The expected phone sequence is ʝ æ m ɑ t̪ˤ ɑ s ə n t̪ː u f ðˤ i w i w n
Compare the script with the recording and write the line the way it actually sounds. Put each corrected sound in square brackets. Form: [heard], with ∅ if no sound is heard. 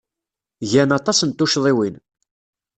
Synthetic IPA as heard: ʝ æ [n] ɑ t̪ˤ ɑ s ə n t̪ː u [ʃ] ðˤ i w i [∅] n